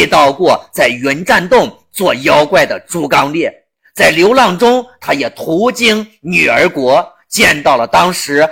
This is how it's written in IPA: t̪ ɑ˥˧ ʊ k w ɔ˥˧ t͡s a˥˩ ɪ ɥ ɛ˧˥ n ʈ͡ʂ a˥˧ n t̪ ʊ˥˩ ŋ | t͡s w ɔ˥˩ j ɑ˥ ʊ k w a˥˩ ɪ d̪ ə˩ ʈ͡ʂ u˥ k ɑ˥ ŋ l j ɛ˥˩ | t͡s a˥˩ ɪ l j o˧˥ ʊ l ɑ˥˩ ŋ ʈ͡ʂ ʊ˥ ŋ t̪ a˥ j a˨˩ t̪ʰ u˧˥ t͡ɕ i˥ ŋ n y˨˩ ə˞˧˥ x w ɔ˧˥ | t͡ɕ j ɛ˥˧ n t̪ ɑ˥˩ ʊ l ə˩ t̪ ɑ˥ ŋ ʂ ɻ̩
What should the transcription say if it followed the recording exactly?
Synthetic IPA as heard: t̪ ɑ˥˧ ʊ k w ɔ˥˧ t͡s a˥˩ ɪ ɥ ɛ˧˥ n ʈ͡ʂ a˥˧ n t̪ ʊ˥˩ ŋ | t͡s w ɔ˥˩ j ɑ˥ ʊ k w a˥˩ ɪ d̪ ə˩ ʈ͡ʂ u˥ k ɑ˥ ŋ l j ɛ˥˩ | t͡s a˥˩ ɪ l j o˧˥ ʊ l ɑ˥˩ ŋ ʈ͡ʂ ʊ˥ ŋ t̪ʰ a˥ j ɛ˨˩ t̪ʰ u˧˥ t͡ɕ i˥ ŋ n y˨˩ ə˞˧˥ k w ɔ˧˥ | t͡ɕ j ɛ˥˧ n t̪ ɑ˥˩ ʊ l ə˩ t̪ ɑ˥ ŋ ʂ ɻ̩